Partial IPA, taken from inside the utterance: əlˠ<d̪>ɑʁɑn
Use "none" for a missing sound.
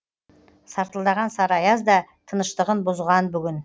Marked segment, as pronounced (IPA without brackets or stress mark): d̪